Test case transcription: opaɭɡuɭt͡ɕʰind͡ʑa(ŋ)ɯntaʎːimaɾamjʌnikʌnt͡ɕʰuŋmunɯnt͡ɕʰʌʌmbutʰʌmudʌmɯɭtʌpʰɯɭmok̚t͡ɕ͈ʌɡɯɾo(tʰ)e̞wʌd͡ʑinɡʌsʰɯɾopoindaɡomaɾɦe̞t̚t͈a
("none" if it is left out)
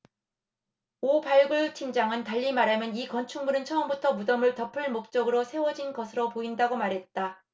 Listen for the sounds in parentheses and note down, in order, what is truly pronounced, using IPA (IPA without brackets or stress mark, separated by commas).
ŋ, sʰ